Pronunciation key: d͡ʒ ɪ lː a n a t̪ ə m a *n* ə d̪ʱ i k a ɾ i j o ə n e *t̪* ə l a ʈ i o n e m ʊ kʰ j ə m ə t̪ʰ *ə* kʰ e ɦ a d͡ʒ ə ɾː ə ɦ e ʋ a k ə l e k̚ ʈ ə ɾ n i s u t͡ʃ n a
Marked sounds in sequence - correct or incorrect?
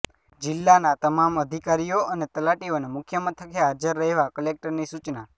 incorrect: m, correct, correct

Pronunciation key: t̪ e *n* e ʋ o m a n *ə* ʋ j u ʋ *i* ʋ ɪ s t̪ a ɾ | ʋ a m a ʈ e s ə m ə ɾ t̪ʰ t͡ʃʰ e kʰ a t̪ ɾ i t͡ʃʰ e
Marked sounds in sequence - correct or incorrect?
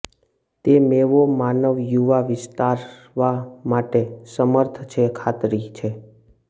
incorrect: m, correct, incorrect: a

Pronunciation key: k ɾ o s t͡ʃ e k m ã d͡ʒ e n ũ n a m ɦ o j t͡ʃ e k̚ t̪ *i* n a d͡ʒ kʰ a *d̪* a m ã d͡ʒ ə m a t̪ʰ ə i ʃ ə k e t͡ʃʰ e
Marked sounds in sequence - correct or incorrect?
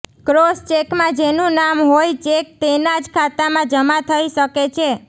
incorrect: e, incorrect: t̪

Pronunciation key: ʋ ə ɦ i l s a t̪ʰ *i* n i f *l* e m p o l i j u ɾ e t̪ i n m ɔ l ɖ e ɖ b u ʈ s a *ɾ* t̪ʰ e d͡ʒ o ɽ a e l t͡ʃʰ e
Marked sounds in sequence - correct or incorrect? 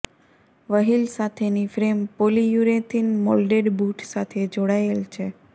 incorrect: e, incorrect: ɾ, incorrect: none

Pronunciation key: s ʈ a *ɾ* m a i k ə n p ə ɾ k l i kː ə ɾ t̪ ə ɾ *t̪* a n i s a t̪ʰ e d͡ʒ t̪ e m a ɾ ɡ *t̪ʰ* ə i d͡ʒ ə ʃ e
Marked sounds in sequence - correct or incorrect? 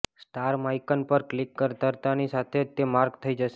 correct, correct, correct

